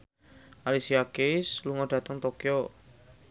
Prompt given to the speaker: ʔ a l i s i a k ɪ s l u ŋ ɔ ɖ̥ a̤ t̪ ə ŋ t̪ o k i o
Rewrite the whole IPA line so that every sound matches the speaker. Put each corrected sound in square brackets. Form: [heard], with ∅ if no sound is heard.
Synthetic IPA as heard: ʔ a l i s i a k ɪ s l u ŋ ɔ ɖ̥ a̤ t̪ ə ŋ t̪ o k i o

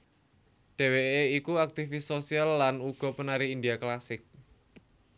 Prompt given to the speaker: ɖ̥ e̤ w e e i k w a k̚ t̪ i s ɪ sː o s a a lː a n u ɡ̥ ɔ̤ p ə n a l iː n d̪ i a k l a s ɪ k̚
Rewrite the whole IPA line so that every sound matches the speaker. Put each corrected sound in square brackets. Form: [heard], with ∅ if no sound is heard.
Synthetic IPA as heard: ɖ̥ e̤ w e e i k [u] a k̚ t̪ i [f] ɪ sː o s [i] a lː a n u ɡ̥ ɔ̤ p ə n a [ɾ] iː n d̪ i a k l a s ɪ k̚

